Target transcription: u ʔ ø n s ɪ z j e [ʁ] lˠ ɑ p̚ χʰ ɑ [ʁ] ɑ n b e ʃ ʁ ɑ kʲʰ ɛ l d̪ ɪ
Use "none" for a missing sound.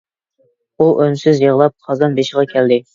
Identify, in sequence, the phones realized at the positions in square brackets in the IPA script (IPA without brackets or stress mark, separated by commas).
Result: ʁ, z